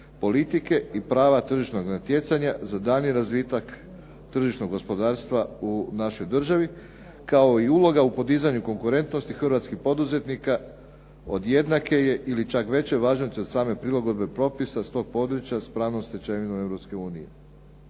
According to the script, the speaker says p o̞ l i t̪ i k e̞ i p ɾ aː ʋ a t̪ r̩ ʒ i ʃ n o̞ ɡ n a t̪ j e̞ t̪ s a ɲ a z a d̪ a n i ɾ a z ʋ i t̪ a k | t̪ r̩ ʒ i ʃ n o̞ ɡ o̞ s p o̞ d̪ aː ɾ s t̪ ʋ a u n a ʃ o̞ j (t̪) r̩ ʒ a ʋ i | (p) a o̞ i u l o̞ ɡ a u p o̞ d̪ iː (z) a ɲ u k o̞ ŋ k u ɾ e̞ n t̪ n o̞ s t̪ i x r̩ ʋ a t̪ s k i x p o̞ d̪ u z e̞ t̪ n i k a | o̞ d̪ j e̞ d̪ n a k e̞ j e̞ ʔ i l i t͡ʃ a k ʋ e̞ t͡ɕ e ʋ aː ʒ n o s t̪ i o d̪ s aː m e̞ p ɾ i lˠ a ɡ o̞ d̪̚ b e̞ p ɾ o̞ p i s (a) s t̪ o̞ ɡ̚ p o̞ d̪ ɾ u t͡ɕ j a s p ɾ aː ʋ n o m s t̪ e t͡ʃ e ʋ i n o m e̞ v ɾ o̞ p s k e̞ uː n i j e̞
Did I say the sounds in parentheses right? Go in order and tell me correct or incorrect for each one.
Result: incorrect: d̪, incorrect: k, correct, correct

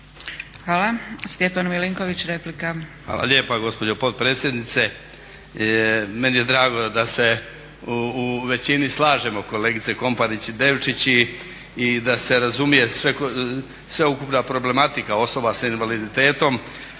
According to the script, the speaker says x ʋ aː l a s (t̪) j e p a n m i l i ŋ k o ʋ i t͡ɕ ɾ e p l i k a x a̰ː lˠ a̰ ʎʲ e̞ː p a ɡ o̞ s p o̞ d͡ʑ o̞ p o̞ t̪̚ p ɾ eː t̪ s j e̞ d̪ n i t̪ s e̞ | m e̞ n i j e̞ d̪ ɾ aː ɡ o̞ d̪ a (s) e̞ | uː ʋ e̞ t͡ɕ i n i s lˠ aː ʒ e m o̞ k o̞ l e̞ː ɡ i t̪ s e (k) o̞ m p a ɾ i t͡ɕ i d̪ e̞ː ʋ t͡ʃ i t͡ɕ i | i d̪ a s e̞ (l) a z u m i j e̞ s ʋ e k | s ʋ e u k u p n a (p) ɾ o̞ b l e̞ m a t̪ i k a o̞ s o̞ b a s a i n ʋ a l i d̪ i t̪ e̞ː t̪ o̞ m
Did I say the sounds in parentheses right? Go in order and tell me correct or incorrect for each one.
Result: correct, correct, correct, incorrect: ɾ, correct

